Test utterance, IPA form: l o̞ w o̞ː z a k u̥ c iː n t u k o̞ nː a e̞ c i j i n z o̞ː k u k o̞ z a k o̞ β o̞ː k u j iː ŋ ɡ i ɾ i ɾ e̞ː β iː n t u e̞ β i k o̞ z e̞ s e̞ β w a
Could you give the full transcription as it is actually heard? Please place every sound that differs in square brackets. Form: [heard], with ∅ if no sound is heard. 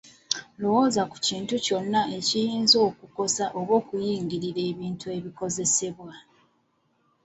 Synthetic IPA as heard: l o̞ w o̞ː z a k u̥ c iː n t u [c] o̞ nː a e̞ c i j [iː] n z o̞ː k u k o̞ [s] a [ʔ] o̞ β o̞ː k u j iː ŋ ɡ i ɾ i ɾ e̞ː β iː n t u e̞ β i k o̞ z e̞ s e̞ β w a